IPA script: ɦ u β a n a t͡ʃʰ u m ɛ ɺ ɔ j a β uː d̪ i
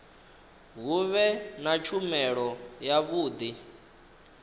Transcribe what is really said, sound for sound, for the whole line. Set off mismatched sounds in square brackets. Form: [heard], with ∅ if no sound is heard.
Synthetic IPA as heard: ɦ u β [ɛ] n a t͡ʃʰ u m ɛ ɺ ɔ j a β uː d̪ i